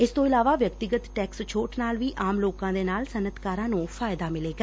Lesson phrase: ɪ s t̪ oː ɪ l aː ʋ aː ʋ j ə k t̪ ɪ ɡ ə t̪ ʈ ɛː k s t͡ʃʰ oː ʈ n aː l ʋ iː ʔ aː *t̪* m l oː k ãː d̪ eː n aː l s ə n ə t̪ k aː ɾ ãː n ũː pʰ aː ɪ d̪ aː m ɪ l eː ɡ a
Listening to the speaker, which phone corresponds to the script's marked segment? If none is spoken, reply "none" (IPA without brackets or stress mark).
none